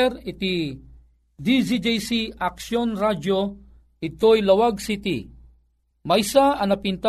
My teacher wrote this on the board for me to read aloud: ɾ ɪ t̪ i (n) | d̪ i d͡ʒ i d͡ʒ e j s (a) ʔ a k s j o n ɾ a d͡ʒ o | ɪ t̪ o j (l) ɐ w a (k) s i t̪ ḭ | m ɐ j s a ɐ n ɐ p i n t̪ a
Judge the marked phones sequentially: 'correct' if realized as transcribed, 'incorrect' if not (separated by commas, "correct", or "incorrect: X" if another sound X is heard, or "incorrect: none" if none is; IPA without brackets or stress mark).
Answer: incorrect: none, incorrect: i, correct, incorrect: ɡ